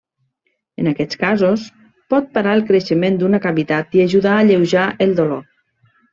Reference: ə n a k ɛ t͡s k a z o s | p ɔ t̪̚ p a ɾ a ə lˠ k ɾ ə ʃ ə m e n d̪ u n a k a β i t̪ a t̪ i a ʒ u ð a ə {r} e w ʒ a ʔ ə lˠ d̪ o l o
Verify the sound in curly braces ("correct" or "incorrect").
incorrect